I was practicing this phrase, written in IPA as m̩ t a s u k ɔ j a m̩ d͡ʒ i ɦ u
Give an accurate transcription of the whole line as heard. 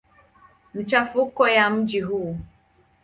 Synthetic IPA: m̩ t͡ʃ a f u k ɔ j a m̩ d͡ʒ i ɦ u